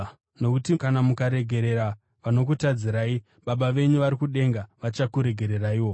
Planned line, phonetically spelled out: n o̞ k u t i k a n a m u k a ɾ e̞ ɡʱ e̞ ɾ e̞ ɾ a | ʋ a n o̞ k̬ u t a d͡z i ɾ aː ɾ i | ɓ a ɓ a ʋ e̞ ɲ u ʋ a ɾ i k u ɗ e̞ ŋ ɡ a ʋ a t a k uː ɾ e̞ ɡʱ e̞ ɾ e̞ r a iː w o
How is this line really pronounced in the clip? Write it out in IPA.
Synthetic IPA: n o̞ k u t i k a n a m u k a ɾ e̞ ɡʱ e̞ ɾ e̞ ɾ a | ʋ a n o̞ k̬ u t a d͡z i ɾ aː i | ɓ a ɓ a ʋ e̞ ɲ u ʋ a ɾ i k u ɗ e̞ ŋ ɡ a ʋ a t͡ʃ a k u ɾ e̞ ɡʱ e̞ ɾ e̞ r a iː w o